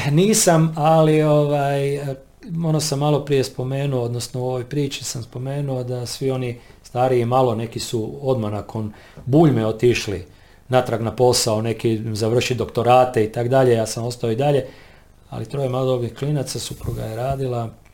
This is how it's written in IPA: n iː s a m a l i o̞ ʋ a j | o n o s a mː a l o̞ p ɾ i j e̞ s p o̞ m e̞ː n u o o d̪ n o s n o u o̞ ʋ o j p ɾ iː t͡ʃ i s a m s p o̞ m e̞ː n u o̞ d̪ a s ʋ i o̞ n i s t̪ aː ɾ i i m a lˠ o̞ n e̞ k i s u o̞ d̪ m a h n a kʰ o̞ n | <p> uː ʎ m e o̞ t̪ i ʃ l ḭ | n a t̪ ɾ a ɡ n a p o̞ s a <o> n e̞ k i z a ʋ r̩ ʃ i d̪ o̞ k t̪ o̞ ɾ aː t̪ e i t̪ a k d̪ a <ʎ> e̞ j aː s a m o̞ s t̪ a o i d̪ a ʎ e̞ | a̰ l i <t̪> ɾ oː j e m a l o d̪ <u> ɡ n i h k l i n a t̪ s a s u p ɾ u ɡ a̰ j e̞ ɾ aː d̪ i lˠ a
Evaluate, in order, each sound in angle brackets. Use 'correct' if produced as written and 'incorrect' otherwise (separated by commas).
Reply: incorrect, correct, correct, correct, incorrect